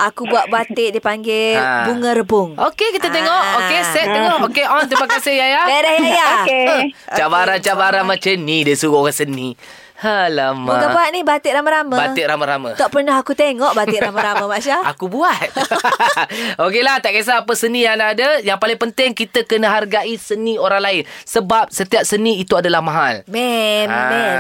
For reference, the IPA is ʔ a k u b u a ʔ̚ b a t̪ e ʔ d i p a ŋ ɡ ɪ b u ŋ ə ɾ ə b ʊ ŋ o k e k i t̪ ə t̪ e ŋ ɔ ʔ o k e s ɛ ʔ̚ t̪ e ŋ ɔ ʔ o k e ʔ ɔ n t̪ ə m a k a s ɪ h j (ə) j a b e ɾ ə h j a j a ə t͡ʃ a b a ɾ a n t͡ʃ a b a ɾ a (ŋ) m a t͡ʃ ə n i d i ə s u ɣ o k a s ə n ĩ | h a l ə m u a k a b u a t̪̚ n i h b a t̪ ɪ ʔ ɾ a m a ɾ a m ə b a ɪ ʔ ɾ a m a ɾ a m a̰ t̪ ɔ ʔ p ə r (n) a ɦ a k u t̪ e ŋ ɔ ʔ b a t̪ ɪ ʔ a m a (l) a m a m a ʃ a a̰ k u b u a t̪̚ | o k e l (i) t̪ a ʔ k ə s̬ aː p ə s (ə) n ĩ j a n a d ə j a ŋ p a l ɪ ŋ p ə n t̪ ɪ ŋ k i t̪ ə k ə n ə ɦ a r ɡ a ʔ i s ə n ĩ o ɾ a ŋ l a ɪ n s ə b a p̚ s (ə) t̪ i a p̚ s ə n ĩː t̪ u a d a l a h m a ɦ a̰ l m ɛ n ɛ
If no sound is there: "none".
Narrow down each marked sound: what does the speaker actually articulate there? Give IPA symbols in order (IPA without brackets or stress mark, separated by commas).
a, n, n, ɾ, a, ə, ə